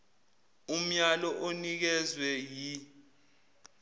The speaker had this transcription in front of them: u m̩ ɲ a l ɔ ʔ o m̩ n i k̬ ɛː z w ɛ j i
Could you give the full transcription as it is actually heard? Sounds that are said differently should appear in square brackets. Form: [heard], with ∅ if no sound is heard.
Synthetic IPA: u m̩ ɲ a l ɔ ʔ o [∅] n i k̬ [ɛ] z w ɛ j i